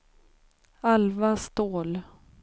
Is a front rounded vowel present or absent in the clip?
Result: absent